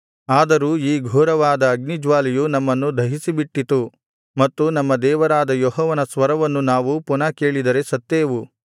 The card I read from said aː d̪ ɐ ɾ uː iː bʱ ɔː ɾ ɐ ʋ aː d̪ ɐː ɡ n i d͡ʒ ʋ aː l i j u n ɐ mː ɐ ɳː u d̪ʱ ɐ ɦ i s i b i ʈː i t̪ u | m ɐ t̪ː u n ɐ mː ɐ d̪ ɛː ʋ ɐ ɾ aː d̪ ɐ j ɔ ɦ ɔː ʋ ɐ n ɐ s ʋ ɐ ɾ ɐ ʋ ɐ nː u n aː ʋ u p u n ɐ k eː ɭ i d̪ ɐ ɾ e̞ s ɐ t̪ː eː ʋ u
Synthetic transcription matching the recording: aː d̪ ɐ ɾ uː iː ɡʱ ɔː ɾ ɐ ʋ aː d̪ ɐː ɡ n i d͡ʒ ʋ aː l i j u n ɐ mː ɐ nː u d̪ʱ ɐ ɦ i s i b i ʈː i t̪ u | m ɐ t̪ː u n ɐ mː ɐ d̪ ɛː ʋ ɐ ɾ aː d̪ ɐ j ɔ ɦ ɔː ʋ ɐ n ɐ s ʋ ɐ ɾ ɐ ʋ ɐ nː u n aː ʋ u p u n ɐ k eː ɭ i d̪ ɐ ɾ e̞ s ɐ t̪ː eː ʋ u